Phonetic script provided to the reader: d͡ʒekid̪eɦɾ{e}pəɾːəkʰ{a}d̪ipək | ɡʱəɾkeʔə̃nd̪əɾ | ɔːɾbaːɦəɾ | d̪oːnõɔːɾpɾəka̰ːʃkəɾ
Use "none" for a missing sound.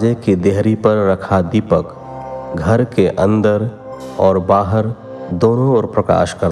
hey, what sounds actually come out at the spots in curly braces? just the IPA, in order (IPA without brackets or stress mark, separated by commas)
i, a